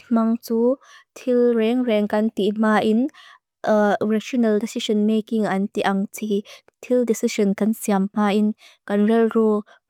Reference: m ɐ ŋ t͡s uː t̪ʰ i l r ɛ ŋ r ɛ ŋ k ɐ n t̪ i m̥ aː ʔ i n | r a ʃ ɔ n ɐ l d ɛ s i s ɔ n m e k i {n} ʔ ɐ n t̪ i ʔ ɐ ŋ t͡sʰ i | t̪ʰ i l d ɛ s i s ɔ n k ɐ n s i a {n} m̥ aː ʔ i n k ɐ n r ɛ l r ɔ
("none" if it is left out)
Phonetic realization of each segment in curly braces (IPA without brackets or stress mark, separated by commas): ŋ, m